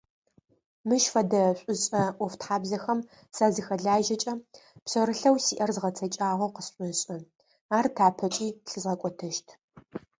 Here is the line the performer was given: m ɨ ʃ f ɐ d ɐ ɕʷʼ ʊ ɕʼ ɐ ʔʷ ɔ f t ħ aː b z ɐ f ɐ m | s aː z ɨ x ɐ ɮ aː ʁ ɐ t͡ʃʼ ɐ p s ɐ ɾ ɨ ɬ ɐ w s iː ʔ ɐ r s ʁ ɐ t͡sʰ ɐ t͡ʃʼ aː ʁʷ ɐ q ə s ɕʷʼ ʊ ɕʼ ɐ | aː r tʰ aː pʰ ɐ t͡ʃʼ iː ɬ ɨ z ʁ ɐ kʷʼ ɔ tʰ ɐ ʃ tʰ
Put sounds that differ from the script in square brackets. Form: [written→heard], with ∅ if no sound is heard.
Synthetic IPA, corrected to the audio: m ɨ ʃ f ɐ d ɐ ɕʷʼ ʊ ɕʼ ɐ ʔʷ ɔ f t ħ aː b z ɐ [f→x] ɐ m | s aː z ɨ x ɐ ɮ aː [ʁ→ʒ] ɐ t͡ʃʼ ɐ p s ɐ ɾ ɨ ɬ ɐ w s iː ʔ ɐ r [s→z] ʁ ɐ t͡sʰ ɐ t͡ʃʼ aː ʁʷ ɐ q ə s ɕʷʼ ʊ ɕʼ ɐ | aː r tʰ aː pʰ ɐ t͡ʃʼ iː ɬ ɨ z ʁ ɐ kʷʼ ɔ tʰ ɐ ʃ tʰ